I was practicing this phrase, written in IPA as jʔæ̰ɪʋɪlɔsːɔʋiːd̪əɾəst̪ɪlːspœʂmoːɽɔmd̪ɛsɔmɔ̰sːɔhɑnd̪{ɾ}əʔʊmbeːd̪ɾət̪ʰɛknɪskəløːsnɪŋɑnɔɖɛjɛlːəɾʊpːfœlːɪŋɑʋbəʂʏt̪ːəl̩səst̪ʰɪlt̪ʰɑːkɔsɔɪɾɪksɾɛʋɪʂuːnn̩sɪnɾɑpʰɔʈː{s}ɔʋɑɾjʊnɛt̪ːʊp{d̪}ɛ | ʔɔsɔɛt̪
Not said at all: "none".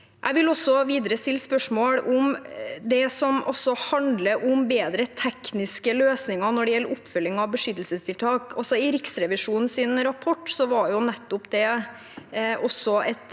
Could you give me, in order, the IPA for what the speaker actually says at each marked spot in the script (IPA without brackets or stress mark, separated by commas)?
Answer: l, s, d̪